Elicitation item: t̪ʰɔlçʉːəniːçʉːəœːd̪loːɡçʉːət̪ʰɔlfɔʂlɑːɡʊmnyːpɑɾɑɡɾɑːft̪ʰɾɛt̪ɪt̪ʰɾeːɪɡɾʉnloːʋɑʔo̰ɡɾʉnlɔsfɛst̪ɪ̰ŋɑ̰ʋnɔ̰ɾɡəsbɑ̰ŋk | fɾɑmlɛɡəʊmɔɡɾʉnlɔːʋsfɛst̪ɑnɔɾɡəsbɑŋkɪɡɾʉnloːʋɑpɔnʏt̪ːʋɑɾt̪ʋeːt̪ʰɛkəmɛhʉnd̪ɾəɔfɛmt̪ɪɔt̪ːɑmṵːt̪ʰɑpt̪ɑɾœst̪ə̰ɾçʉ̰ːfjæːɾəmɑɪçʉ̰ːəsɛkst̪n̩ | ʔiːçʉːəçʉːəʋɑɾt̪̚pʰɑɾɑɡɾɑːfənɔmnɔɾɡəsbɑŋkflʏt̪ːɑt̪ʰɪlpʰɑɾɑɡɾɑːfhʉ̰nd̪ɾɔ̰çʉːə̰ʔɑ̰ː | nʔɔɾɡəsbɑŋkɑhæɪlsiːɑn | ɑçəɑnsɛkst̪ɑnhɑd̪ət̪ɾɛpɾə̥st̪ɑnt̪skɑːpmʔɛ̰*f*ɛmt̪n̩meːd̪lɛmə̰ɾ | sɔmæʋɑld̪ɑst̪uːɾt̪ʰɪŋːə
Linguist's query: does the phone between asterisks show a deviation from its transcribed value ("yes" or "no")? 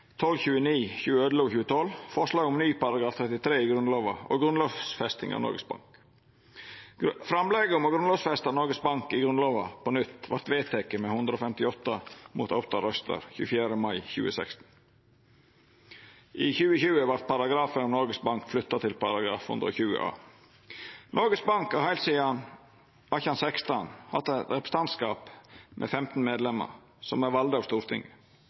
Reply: no